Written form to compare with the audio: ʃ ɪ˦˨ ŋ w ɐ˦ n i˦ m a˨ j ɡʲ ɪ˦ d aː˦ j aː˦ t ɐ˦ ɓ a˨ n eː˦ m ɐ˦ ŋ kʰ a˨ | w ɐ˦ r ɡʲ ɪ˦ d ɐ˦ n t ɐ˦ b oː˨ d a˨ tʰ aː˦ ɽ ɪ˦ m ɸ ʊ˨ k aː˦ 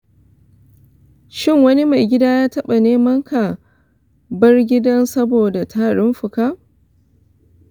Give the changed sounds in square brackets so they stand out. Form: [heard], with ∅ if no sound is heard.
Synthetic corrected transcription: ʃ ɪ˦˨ ŋ w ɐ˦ n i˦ m a˨ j ɡʲ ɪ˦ d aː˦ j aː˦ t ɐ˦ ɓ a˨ n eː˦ m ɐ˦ ŋ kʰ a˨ | [b] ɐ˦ r ɡʲ ɪ˦ d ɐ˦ n [s] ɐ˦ b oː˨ d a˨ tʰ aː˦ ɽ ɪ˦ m ɸ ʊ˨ k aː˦

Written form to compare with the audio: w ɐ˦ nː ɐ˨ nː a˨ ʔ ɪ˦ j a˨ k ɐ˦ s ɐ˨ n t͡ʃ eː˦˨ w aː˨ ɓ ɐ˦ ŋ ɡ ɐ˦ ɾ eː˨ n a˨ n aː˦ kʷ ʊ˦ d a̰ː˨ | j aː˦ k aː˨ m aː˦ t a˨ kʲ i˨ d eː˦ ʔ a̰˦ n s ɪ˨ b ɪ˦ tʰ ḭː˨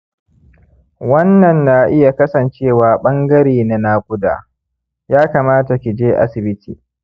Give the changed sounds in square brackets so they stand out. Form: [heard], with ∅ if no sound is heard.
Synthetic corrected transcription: w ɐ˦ nː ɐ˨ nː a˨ ʔ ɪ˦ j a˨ k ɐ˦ s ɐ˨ n t͡ʃ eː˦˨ w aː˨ ɓ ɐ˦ ŋ ɡ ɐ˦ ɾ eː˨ n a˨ n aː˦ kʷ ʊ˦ d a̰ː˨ | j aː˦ k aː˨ m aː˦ t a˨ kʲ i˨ [d͡ʒ] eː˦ ʔ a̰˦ [∅] s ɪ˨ b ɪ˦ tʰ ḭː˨

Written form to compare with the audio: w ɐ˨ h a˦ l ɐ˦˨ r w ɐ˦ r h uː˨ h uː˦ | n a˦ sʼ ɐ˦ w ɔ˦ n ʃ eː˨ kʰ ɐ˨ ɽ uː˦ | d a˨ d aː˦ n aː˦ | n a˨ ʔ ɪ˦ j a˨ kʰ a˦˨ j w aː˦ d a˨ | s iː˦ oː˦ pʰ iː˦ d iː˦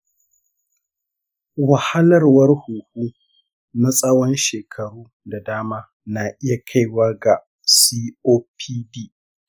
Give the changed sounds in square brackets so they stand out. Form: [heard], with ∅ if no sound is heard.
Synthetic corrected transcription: w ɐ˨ h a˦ l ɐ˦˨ r w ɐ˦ r h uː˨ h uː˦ | n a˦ sʼ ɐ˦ w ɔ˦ n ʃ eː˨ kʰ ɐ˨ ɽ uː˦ | d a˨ d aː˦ [m] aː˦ | n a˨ ʔ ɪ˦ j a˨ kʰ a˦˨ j w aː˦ [ɡ] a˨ | s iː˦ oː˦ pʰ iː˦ d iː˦

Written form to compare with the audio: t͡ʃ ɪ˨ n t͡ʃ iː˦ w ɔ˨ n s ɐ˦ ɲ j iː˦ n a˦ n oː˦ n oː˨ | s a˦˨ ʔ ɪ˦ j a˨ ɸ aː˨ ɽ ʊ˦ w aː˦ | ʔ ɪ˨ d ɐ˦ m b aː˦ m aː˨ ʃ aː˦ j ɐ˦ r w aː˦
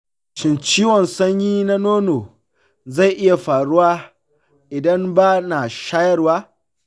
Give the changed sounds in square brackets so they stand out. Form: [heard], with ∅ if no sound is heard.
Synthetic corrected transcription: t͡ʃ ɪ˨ n t͡ʃ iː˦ w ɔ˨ n s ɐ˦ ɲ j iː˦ n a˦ n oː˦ n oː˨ | [z] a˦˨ ʔ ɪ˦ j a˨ ɸ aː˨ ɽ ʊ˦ w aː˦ | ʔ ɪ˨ d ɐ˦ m b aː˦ [n] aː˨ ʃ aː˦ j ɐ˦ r w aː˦

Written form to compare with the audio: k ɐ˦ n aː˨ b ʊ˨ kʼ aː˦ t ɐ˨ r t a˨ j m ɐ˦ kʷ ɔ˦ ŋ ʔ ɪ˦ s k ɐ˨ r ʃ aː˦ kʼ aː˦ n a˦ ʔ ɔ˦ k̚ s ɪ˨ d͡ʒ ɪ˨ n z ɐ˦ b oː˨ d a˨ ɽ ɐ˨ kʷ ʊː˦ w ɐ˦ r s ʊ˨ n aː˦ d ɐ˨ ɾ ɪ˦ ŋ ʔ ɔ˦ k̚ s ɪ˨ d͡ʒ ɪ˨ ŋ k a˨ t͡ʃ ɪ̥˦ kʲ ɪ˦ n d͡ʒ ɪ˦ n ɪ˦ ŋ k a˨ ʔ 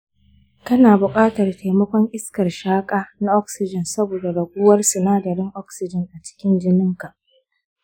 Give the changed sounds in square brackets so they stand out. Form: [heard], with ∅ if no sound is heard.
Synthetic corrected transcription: k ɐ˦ n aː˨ b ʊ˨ kʼ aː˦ t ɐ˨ r t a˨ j m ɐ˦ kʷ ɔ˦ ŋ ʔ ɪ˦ s k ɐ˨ r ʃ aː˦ kʼ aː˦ n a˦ ʔ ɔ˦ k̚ s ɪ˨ d͡ʒ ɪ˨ n [s] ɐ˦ b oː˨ d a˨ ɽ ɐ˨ [ɡʷ] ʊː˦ w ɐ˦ r s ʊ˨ n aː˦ d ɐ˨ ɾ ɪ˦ ŋ ʔ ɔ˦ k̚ s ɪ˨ d͡ʒ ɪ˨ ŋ [ʔ] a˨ t͡ʃ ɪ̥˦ kʲ ɪ˦ n d͡ʒ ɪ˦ n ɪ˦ ŋ k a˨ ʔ

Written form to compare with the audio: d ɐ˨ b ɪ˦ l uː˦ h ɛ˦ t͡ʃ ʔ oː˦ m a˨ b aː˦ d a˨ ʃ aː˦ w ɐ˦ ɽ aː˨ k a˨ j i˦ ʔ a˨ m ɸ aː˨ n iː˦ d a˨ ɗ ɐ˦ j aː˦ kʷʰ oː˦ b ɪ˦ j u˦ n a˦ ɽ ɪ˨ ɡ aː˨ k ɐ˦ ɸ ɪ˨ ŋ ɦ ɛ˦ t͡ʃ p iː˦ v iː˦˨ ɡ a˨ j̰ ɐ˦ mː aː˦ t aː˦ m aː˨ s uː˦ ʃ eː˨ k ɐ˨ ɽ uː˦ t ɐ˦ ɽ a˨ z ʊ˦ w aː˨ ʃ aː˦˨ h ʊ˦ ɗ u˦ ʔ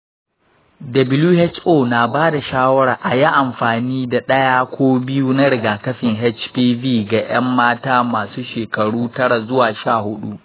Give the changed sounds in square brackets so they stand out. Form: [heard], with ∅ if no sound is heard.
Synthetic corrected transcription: d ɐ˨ b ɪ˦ l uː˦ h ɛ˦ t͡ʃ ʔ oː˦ [n] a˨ b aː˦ d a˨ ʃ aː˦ w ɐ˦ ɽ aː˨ [ʔ] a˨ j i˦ ʔ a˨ m ɸ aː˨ n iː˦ d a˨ ɗ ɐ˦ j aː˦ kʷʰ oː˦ b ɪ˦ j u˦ n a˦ ɽ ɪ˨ ɡ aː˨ k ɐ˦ ɸ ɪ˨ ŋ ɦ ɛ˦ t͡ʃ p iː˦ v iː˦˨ ɡ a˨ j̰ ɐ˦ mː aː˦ t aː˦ m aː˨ s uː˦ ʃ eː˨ k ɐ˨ ɽ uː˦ t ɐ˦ ɽ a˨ z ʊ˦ w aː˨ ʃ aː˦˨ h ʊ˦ ɗ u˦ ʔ

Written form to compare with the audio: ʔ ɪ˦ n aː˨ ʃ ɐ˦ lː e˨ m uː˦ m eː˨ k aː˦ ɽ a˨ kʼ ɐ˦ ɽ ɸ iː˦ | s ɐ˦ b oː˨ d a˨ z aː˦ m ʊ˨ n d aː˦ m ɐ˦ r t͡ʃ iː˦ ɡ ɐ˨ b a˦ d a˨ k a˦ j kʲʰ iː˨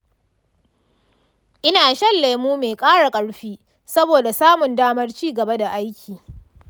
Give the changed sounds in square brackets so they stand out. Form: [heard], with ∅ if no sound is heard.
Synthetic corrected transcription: ʔ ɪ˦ n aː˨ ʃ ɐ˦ lː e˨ m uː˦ m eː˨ [kʼ] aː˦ ɽ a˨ kʼ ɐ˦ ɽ ɸ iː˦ | s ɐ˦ b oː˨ d a˨ [s] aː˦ m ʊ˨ n d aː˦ m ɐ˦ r t͡ʃ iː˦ ɡ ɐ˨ b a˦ d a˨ [ʔ] a˦ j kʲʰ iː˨

